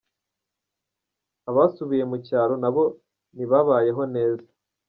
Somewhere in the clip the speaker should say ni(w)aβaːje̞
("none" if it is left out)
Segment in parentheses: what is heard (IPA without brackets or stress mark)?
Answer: β